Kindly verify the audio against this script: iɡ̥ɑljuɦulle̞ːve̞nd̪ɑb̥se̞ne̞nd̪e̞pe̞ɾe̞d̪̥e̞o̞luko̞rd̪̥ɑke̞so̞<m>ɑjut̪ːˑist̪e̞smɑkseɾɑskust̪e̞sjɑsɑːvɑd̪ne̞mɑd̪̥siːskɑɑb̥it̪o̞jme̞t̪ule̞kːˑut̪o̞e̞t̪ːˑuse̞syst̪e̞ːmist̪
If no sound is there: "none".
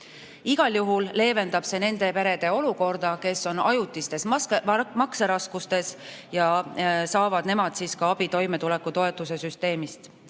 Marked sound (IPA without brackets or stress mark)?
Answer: n